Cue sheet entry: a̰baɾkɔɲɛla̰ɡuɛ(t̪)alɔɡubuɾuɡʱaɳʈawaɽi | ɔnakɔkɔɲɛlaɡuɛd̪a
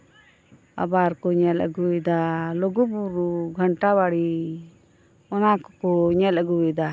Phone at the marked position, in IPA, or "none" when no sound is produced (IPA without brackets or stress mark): d̪